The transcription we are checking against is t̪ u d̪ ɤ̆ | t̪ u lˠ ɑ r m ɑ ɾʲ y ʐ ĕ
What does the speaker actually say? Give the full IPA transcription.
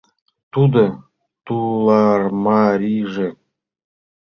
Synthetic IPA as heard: t̪ u d̪ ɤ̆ | t̪ u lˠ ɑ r m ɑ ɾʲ i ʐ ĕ